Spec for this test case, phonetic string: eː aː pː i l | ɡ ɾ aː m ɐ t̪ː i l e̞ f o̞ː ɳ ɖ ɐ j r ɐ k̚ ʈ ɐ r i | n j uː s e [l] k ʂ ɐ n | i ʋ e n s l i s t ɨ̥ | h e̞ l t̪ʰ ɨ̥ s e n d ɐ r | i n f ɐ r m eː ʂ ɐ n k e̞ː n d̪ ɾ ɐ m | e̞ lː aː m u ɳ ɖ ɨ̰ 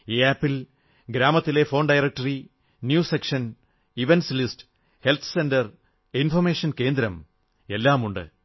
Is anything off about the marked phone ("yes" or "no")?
yes